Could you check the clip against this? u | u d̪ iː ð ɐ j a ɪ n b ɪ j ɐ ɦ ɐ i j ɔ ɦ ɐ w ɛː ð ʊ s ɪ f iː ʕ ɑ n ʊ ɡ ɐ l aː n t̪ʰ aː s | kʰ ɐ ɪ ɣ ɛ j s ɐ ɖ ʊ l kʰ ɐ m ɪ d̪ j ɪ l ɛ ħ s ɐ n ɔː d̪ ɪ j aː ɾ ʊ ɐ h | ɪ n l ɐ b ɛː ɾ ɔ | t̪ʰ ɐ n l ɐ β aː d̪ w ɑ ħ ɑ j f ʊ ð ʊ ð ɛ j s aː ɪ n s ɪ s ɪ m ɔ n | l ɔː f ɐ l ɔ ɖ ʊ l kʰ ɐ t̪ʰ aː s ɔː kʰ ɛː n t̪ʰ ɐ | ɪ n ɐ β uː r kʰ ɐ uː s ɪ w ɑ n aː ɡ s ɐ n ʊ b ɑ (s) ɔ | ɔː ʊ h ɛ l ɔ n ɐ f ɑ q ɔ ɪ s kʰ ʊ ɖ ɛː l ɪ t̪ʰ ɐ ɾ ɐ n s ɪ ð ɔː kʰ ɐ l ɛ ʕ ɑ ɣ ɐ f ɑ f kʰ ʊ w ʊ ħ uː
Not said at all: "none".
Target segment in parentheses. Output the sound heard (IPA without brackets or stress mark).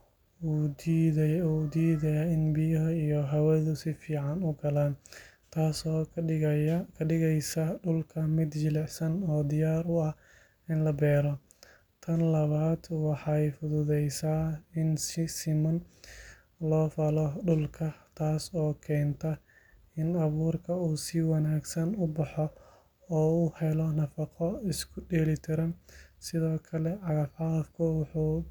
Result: ħ